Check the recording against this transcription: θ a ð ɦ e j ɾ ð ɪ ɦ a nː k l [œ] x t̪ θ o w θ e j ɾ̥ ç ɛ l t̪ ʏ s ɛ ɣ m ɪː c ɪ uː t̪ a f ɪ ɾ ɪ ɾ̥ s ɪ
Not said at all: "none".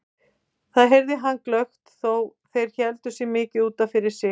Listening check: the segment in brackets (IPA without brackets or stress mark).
œ